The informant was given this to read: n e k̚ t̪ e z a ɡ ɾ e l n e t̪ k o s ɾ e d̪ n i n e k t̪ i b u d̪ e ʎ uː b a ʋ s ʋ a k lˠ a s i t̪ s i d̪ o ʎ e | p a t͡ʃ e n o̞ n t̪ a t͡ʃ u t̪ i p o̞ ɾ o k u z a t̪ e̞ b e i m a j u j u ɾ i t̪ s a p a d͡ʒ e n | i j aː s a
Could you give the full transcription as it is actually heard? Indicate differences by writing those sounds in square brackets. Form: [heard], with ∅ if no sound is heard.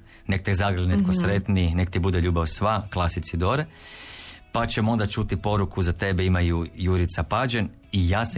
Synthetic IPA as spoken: n e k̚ t̪ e z a ɡ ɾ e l n e t̪ k o s ɾ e [t̪] n i n e k t̪ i b u d̪ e ʎ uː b a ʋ s ʋ a k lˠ a s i t̪ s i d̪ o [ɾ] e | p a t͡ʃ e [m] o̞ n [d̪] a t͡ʃ u t̪ i p o̞ ɾ [u] k u z a t̪ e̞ b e i m a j u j u ɾ i t̪ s a p a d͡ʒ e n | i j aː s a